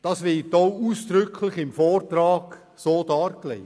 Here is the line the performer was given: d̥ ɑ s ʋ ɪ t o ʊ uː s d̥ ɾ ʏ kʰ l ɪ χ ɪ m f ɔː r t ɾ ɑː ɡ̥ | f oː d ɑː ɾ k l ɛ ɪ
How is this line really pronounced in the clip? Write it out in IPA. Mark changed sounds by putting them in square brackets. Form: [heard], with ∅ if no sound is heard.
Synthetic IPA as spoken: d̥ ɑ s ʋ ɪ t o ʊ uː s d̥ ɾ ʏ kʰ l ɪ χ ɪ m f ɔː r t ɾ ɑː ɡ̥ | [s] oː d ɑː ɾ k l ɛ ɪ